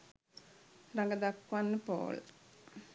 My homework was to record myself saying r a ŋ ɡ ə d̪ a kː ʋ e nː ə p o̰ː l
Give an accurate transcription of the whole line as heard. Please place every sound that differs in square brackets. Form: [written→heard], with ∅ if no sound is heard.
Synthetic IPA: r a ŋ ɡ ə d̪ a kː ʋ [e→a] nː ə p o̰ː l